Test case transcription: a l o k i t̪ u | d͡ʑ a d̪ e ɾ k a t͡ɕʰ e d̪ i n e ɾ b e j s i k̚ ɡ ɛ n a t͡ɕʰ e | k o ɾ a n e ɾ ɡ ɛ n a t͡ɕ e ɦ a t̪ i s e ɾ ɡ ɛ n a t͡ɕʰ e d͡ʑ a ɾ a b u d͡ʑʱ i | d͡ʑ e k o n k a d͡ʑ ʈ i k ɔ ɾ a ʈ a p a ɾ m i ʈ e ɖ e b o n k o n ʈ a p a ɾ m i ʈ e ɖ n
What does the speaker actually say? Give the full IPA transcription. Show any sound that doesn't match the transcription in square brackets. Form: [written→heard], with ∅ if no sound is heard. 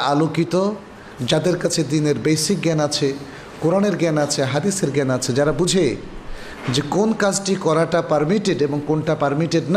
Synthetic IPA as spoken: a l o k i t̪ [u→o] | d͡ʑ a d̪ e ɾ k a t͡ɕʰ e d̪ i n e ɾ b e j s i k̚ ɡ ɛ n a t͡ɕʰ e | k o ɾ a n e ɾ ɡ ɛ n a [t͡ɕ→t͡ɕʰ] e ɦ a [t̪→d̪] i s e ɾ ɡ ɛ n a t͡ɕʰ e d͡ʑ a ɾ a b u d͡ʑʱ [i→e] | d͡ʑ e k o n k a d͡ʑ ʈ i k ɔ ɾ a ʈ a p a ɾ m i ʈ e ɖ e b o [n→ŋ] k o n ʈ a p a ɾ m i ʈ e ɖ n